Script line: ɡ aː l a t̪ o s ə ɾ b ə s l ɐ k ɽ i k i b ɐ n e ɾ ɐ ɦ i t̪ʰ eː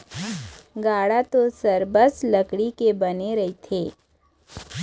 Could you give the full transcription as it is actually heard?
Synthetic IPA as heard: ɡ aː ɽ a t̪ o s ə ɾ b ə s l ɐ k ɽ i k e b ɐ n e ɾ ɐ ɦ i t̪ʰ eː